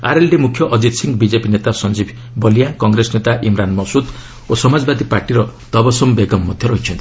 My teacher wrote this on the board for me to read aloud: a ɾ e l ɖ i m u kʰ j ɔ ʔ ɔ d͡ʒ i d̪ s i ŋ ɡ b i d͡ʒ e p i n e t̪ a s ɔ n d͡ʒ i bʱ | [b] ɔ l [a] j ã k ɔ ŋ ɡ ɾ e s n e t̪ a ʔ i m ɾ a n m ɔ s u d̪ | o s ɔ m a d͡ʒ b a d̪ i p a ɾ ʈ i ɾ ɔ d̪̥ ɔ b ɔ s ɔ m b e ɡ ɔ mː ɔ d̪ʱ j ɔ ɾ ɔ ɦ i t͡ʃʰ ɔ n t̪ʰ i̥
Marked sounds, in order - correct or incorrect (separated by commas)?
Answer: correct, incorrect